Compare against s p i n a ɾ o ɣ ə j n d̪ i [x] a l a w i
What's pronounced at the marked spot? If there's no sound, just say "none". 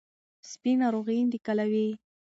k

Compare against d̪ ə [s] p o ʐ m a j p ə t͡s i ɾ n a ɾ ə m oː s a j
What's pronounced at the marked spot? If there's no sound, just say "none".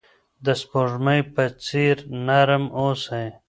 s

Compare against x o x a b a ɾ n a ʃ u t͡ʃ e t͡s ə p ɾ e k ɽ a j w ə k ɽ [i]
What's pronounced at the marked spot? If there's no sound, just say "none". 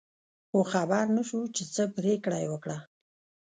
a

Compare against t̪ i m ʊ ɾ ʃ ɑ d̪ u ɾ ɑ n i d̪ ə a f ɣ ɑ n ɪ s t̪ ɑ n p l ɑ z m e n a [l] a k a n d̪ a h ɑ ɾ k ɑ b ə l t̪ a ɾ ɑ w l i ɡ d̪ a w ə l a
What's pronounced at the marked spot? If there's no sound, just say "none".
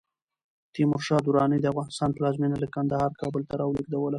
l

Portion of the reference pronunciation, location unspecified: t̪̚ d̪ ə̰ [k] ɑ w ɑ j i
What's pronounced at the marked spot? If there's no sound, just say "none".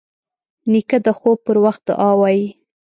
ʔ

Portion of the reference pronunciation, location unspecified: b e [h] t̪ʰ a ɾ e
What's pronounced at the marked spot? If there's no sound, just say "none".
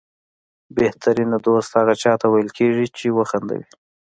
h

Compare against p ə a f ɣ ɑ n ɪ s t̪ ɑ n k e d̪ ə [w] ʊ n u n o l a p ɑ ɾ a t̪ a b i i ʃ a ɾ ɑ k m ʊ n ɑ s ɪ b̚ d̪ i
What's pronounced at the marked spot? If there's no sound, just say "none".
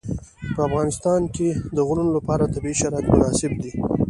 ɣ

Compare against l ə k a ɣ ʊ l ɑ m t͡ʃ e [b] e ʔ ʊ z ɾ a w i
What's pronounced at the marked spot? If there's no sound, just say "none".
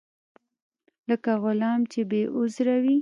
b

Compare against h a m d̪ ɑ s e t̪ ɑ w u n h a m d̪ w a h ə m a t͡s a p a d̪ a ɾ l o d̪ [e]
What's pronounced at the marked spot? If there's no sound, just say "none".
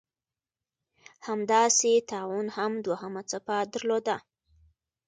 a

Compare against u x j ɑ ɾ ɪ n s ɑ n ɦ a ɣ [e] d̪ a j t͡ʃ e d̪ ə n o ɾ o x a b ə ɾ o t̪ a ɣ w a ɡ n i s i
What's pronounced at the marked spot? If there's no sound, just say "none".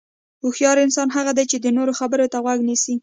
a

